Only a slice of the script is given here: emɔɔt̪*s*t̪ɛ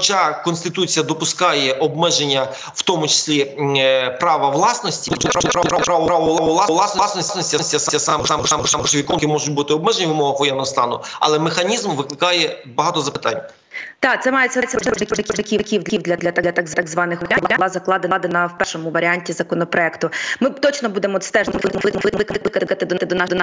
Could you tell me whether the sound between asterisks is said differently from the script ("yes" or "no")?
no